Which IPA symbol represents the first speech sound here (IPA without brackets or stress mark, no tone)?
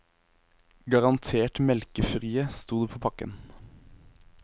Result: ɡ